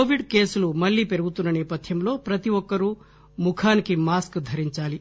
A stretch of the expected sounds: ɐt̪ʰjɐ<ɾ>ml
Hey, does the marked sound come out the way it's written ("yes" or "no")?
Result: no